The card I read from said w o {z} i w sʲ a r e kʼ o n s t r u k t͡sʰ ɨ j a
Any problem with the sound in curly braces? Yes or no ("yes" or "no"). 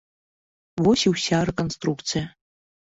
yes